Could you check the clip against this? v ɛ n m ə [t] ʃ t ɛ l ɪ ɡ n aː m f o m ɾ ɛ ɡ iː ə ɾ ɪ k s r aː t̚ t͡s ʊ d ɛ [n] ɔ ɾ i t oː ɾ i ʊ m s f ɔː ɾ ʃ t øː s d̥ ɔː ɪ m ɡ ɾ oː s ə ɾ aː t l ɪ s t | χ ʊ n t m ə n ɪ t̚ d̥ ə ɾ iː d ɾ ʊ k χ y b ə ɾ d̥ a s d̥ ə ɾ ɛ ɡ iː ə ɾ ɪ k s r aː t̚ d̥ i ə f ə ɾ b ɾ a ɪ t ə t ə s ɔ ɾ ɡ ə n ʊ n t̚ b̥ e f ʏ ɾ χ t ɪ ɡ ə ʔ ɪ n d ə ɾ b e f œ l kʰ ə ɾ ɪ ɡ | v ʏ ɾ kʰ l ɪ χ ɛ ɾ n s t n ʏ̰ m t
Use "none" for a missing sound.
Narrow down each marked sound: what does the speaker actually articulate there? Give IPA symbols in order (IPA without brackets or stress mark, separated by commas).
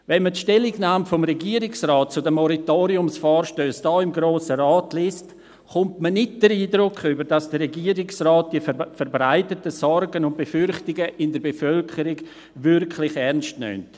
t, m